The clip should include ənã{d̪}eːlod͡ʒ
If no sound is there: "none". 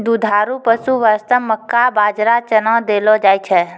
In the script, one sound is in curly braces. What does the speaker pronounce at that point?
d̪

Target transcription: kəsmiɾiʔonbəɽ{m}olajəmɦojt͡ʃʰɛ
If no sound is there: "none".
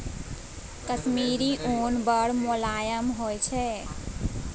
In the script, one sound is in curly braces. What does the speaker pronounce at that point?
m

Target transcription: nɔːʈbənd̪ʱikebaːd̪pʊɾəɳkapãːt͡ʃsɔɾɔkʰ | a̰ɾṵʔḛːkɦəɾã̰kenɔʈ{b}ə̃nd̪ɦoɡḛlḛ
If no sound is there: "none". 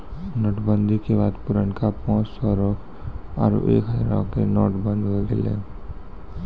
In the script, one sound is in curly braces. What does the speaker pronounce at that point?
b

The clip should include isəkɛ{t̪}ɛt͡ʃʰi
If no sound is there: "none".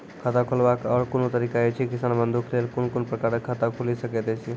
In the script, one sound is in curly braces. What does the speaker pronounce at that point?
t̪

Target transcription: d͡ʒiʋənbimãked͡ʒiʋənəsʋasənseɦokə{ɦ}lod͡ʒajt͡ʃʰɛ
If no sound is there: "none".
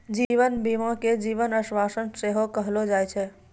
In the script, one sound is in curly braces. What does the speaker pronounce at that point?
ɦ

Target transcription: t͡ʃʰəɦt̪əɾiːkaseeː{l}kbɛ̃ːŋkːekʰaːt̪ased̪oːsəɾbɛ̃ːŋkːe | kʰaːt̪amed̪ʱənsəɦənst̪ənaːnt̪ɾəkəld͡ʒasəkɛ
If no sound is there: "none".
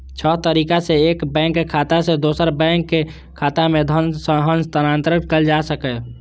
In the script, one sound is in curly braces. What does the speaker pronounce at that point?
none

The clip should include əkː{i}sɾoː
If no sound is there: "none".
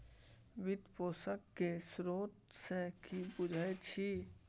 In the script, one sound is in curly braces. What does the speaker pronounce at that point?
e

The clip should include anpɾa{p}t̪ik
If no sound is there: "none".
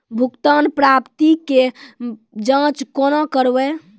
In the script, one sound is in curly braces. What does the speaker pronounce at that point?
p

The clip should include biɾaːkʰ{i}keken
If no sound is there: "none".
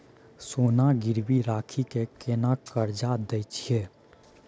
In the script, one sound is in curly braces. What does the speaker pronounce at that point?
i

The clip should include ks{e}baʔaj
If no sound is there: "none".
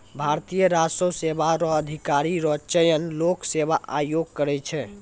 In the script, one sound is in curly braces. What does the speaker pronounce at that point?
e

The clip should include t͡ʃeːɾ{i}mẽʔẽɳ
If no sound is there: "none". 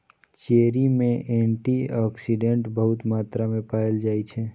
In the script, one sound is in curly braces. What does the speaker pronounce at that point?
i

